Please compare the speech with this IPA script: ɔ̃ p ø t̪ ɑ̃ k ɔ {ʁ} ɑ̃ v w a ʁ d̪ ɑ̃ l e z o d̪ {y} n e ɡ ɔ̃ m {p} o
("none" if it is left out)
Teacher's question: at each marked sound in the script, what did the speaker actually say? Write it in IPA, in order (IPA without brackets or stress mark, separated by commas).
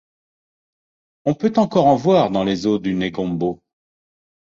ʁ, y, b